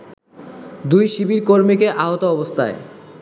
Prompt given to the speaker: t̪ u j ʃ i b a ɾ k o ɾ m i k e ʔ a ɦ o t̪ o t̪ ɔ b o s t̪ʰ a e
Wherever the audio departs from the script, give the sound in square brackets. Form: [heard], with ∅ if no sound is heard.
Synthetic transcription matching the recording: [d̪] u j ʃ i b [i] ɾ k o ɾ m i k e ʔ a ɦ o t̪ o [∅] ɔ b o s t̪ʰ a e